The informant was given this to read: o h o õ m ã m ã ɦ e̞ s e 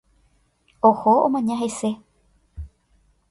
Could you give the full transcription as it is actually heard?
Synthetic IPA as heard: o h o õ m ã ɲ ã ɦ e̞ s e